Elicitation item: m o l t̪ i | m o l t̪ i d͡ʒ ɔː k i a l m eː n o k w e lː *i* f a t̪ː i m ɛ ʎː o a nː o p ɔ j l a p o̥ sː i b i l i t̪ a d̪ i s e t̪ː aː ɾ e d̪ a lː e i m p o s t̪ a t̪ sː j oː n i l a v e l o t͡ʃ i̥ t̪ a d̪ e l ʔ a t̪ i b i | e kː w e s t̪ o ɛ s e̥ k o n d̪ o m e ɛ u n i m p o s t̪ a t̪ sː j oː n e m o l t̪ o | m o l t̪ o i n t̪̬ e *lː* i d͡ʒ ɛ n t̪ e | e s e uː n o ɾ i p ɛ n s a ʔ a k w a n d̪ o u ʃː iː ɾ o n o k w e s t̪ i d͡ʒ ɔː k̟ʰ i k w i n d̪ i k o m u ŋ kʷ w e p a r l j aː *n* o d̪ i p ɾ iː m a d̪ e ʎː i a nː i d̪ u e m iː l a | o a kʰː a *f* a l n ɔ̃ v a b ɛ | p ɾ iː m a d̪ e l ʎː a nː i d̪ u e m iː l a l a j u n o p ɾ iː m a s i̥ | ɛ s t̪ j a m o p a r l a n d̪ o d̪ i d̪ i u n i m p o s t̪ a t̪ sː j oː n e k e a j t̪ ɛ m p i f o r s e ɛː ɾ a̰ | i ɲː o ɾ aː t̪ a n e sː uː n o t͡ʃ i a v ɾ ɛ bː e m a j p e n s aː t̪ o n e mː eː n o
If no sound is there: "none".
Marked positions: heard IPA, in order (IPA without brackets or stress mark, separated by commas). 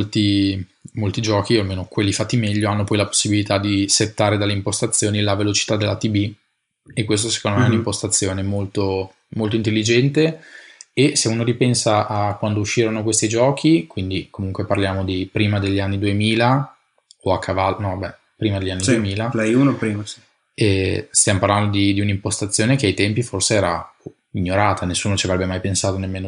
i, lː, m, v